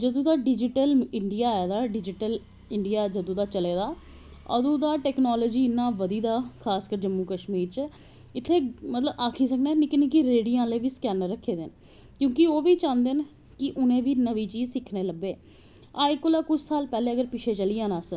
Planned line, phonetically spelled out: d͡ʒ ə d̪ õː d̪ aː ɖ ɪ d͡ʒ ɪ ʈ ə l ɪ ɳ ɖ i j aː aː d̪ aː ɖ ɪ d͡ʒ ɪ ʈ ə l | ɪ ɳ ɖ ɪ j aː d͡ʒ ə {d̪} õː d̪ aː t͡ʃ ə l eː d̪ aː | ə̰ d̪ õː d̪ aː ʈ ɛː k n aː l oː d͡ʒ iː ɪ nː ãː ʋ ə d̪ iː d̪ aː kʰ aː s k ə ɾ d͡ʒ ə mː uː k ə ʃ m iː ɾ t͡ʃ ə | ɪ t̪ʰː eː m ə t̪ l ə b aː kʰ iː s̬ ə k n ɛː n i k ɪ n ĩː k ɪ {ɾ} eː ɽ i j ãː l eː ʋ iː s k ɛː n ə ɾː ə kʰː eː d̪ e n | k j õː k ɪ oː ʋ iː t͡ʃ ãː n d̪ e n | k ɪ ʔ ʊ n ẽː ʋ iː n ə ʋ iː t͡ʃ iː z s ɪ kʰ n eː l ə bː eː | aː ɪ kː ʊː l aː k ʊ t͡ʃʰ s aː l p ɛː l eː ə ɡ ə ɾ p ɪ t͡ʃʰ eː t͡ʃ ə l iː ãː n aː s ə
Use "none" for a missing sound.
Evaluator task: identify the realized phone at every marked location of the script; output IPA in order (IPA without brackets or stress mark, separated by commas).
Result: d̪, ɾ